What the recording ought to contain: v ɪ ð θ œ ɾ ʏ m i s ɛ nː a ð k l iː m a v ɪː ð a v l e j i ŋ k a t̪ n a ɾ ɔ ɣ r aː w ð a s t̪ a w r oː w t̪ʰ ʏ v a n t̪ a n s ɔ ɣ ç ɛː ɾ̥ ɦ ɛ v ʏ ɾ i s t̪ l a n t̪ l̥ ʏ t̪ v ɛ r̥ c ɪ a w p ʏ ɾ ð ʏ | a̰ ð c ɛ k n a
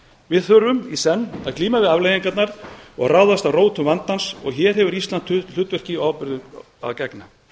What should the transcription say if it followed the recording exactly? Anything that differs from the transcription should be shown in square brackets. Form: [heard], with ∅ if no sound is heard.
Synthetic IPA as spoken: v ɪ ð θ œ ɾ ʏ m i s ɛ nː a ð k l iː m a v [ɪ] ð a v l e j i ŋ k a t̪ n a ɾ ɔ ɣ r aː w ð a s t̪ a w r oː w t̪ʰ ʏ v a n t̪ a n s ɔ ɣ ç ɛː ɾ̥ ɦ ɛ v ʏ ɾ i s t̪ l a n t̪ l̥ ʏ t̪ v ɛ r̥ c ɪ a w p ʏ ɾ ð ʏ | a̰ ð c ɛ k n a